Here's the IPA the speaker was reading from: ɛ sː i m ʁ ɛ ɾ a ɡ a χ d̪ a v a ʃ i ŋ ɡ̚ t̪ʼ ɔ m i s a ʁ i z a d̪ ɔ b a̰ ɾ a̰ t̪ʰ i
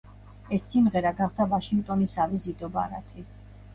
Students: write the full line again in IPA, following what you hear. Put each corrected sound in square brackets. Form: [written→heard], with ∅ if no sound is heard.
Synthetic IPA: ɛ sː i m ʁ ɛ ɾ a ɡ a χ d̪ a v a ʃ i ŋ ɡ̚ t̪ʼ ɔ [m→n] i s a [ʁ→v] i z [a→i] d̪ ɔ b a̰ ɾ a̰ t̪ʰ i